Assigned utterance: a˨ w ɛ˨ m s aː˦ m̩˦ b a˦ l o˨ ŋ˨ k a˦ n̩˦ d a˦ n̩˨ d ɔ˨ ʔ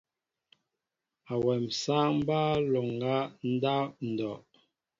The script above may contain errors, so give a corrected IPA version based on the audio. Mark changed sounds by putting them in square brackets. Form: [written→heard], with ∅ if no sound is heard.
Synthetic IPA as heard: a˨ w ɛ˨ m s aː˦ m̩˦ b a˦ l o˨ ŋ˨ [k→ɡ] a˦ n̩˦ d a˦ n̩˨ d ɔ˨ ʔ